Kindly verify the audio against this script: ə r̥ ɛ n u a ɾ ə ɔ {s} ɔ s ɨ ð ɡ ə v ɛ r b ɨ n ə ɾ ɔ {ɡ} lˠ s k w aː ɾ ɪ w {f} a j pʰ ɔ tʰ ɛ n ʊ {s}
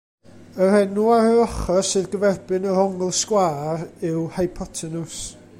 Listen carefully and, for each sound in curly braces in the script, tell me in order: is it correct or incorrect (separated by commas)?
incorrect, incorrect, incorrect, correct